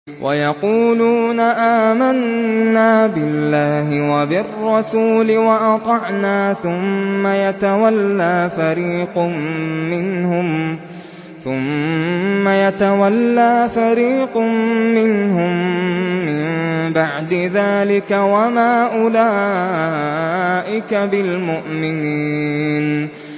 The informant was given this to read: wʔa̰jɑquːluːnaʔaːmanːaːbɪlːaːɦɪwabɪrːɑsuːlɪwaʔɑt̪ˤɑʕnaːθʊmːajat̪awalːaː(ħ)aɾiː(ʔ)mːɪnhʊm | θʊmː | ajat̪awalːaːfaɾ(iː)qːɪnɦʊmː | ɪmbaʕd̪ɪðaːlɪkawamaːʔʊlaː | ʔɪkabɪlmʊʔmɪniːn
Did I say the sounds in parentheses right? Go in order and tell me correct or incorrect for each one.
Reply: incorrect, incorrect, correct

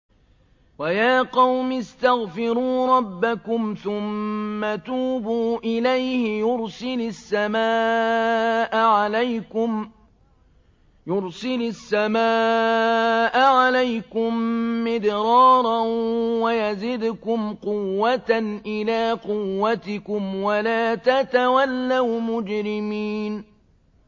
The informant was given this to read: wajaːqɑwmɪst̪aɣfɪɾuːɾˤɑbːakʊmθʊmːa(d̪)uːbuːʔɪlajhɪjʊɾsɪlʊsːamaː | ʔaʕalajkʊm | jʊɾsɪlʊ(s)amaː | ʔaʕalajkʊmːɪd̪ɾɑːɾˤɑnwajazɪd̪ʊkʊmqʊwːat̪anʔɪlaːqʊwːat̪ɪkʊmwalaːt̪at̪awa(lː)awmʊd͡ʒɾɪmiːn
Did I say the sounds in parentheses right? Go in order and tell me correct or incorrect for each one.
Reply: incorrect, incorrect, correct

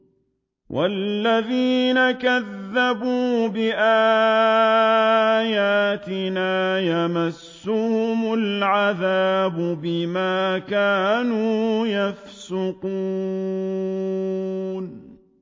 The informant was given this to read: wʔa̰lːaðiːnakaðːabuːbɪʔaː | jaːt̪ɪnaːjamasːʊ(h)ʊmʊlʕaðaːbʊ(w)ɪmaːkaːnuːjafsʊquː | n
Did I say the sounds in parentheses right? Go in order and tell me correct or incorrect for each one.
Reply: correct, incorrect

